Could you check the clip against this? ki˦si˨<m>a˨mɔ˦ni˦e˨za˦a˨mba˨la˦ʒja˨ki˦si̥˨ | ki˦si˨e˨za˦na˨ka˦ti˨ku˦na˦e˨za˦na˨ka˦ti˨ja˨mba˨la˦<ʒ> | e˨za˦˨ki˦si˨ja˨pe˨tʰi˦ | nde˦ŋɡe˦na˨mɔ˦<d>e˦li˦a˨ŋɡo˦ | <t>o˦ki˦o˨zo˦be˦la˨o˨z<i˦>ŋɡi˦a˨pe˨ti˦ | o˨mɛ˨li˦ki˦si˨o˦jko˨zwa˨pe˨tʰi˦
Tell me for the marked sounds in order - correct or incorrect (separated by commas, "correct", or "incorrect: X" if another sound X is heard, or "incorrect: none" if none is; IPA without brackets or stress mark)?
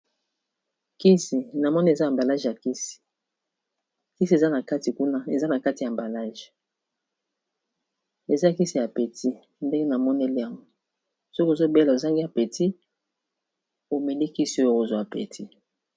incorrect: n, correct, incorrect: n, incorrect: s, incorrect: a˦